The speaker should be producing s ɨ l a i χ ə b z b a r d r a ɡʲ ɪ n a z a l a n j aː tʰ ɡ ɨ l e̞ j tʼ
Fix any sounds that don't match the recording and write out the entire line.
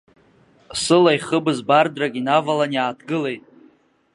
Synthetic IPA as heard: s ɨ l a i χ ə b z b a r d r a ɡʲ i n a v a l a n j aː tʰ ɡ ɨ l e̞ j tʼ